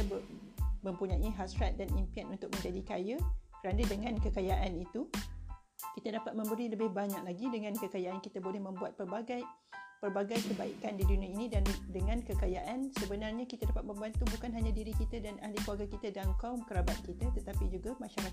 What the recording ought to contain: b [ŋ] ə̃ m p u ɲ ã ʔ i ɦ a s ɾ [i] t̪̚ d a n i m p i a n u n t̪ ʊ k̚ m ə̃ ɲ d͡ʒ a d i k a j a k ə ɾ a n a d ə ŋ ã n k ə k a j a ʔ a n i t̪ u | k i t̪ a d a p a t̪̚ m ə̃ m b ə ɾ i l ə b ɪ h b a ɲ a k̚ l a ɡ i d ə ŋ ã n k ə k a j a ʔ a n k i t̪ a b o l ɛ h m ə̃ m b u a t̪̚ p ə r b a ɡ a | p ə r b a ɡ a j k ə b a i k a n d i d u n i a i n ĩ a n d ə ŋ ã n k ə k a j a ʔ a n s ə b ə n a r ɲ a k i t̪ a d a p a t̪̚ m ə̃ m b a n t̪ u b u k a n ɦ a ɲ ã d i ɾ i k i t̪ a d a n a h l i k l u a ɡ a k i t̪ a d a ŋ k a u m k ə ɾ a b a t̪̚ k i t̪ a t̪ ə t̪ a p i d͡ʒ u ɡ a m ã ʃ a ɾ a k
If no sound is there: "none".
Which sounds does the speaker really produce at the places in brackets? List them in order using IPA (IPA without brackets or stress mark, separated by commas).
m, a